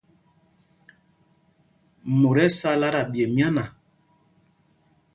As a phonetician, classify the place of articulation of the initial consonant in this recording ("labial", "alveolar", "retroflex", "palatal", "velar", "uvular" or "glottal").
labial